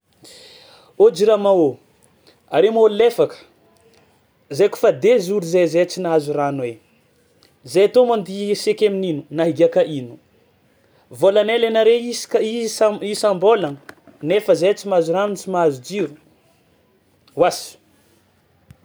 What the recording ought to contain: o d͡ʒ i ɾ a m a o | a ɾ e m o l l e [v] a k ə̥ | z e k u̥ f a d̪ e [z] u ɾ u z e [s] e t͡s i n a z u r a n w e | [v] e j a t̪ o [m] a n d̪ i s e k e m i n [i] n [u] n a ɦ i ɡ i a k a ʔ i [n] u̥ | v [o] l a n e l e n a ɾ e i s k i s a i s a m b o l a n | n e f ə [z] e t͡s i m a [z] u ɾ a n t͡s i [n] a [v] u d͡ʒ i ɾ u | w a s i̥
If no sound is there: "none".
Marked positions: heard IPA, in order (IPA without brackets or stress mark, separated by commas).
f, z, z, z, m, i, u, n, o, z, z, m, z